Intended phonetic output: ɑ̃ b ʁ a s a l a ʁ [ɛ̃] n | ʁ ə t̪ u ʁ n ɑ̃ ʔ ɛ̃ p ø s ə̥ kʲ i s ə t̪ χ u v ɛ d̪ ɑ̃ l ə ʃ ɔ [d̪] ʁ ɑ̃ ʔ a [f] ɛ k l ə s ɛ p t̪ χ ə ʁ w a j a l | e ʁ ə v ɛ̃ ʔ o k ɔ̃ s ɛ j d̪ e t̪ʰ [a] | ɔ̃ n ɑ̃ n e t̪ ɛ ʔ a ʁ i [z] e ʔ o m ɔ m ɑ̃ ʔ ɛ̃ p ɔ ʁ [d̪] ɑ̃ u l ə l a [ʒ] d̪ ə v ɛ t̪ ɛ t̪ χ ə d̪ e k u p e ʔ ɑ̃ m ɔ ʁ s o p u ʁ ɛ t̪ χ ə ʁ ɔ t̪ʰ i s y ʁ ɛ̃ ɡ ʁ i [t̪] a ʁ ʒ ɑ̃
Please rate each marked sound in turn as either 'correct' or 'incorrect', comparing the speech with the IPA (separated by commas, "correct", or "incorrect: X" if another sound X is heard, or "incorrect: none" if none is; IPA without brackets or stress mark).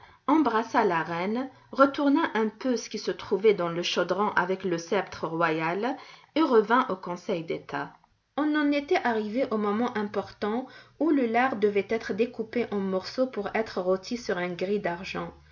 incorrect: ɛ, correct, incorrect: v, correct, incorrect: v, incorrect: t̪, incorrect: ʁ, incorrect: d̪